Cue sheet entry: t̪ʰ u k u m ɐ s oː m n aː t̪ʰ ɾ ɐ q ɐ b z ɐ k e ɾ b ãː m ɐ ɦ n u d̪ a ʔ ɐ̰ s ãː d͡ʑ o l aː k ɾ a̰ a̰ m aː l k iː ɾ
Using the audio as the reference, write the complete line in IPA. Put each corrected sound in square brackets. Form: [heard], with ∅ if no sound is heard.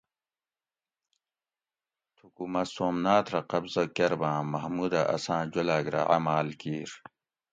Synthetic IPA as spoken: t̪ʰ u k u m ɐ s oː m n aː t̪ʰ ɾ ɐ q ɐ b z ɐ k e ɾ b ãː m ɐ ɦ [m] u d̪ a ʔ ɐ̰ s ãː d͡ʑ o l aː [ɡ] ɾ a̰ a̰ m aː l k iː ɾ